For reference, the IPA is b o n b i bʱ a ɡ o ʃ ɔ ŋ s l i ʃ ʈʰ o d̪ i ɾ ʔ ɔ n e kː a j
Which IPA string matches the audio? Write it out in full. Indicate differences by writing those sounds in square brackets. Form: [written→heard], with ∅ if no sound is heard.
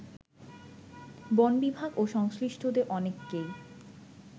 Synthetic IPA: b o n b i bʱ a ɡ o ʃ ɔ ŋ s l i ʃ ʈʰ o d̪ [i→e] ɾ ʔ ɔ n e kː [a→e] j